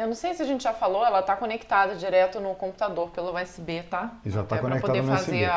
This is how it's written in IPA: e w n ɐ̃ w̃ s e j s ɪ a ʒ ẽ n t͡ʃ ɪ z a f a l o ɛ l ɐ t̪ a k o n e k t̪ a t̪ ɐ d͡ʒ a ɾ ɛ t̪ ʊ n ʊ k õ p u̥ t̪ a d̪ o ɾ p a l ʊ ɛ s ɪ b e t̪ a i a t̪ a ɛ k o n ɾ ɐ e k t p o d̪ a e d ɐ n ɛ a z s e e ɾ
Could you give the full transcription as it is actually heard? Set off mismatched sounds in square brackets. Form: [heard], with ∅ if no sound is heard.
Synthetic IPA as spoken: e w n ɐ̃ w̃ s e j s ɪ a ʒ ẽ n t͡ʃ ɪ [ʒ] a f a l o ɛ l ɐ t̪ a k o n e k t̪ a [d̪] ɐ d͡ʒ [i] ɾ ɛ t̪ ʊ n ʊ k õ p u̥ t̪ a d̪ o ɾ p [e] l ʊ ɛ s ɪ b e t̪ a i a t̪ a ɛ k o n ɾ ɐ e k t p o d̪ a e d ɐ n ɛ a z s e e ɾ